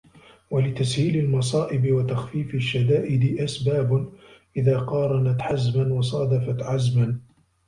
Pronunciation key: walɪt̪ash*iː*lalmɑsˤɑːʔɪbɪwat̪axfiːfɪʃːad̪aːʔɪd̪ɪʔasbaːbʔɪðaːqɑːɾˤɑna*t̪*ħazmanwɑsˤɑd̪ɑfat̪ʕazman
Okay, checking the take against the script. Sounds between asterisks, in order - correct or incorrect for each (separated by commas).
correct, correct